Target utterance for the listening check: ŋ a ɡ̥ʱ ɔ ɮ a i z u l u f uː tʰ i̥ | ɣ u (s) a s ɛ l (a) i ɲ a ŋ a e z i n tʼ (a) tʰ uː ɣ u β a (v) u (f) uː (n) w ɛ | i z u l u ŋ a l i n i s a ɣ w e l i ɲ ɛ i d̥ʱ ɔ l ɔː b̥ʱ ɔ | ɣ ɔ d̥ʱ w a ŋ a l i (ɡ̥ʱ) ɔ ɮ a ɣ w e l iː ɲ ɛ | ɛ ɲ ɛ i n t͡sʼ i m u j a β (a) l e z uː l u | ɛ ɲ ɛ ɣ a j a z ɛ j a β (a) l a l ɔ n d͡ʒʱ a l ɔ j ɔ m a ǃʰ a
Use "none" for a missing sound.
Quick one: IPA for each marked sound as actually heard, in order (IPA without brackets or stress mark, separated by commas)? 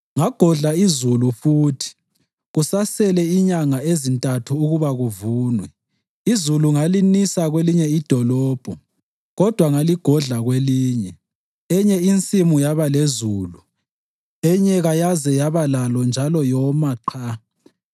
s, ɛ, a, ɣ, v, n, ɡ̥ʱ, a, a